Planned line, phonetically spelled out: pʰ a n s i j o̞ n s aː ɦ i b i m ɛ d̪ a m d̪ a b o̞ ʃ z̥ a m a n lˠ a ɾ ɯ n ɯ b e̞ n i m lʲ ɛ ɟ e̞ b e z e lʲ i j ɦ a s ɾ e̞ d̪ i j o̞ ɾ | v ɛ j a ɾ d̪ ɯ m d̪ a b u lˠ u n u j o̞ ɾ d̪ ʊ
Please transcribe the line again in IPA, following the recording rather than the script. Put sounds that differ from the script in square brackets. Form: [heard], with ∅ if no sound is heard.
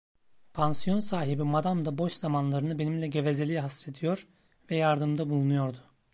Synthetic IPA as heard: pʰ a n s i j o̞ n s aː ɦ i b i m [a] d̪ a m d̪ a b o̞ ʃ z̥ a m a n lˠ a ɾ ɯ n ɯ b e̞ n i m lʲ ɛ ɟ e̞ [v] e z e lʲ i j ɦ a s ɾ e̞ d̪ i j o̞ ɾ | v ɛ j a ɾ d̪ ɯ m d̪ a b u lˠ u n u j o̞ ɾ d̪ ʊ